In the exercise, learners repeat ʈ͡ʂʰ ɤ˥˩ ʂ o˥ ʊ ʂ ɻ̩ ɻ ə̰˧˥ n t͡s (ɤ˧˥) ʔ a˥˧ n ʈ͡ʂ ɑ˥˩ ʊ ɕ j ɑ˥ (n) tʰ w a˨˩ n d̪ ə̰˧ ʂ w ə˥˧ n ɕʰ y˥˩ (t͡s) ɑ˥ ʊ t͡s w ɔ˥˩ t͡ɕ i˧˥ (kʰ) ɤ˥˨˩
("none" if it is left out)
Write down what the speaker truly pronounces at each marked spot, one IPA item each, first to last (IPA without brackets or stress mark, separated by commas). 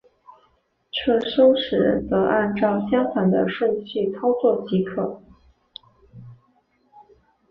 ɤ˧˥, ŋ, t͡sʰ, kʰ